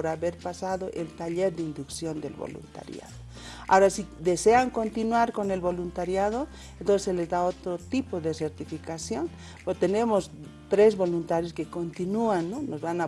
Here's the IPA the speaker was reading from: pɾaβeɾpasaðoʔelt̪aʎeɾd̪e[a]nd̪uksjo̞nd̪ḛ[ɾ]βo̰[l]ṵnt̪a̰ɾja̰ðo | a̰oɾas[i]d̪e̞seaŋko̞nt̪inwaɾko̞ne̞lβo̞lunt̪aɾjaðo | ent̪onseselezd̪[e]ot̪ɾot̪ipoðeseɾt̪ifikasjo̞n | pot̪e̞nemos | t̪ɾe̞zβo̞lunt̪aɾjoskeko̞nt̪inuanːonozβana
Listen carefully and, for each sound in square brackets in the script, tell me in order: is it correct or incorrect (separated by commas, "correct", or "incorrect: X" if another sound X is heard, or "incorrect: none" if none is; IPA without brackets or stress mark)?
incorrect: i, incorrect: l, correct, correct, incorrect: a